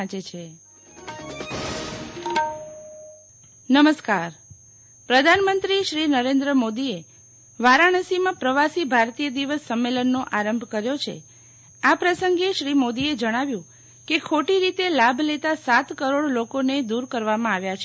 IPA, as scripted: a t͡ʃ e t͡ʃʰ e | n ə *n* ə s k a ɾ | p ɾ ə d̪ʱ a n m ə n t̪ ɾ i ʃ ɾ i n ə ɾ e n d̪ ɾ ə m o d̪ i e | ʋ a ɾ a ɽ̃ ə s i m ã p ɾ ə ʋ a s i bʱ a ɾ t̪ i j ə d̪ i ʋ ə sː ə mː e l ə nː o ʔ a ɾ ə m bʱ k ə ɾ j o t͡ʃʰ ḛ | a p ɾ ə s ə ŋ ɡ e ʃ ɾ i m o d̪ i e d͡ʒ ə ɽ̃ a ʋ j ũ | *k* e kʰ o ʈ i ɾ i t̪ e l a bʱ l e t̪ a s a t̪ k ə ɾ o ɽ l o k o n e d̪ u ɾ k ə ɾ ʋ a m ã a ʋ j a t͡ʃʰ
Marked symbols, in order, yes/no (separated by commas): no, yes